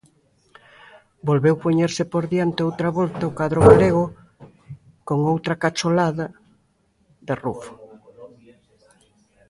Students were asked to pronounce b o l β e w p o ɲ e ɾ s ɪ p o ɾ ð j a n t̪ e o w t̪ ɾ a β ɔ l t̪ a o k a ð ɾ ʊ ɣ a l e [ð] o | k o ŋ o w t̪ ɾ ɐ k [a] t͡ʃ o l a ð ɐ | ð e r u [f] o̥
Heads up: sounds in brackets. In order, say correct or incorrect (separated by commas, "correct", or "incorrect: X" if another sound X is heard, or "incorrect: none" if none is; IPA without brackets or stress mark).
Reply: incorrect: ɣ, correct, correct